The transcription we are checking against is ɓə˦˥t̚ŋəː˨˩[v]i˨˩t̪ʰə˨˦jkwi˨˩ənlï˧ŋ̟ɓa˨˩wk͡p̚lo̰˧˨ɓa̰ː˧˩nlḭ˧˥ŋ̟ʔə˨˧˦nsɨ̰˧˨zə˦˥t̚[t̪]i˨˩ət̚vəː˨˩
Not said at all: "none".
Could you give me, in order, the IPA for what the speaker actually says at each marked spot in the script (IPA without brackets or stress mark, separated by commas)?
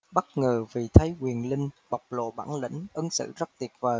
v, t̪